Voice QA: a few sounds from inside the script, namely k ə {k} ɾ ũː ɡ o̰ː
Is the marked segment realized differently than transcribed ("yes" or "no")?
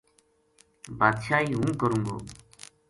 yes